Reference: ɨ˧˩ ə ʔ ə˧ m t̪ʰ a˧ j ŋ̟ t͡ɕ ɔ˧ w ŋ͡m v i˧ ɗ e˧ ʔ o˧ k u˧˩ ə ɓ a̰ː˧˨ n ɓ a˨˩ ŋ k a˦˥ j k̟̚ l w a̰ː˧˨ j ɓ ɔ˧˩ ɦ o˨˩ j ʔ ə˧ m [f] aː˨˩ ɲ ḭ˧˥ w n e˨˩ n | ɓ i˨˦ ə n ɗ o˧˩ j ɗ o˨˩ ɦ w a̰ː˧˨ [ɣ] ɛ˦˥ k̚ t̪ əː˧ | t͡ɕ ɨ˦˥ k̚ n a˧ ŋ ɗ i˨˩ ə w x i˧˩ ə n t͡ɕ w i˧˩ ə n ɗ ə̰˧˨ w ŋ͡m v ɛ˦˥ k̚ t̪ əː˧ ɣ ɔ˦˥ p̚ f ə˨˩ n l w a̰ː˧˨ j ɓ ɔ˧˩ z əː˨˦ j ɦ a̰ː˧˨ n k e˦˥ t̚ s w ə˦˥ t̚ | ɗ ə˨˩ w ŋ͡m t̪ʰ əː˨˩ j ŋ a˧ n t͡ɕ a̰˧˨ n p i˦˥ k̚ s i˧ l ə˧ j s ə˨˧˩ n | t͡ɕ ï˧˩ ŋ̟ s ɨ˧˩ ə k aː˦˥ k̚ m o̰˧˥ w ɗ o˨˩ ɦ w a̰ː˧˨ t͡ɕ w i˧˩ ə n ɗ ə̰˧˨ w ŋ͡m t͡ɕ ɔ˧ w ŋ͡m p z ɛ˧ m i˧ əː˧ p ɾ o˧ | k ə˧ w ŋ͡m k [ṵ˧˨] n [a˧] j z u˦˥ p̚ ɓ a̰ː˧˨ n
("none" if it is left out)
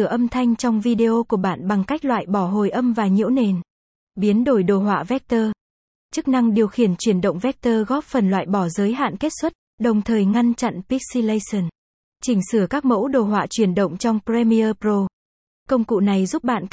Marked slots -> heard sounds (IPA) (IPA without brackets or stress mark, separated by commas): v, v, ṵ˧˨, a˨˩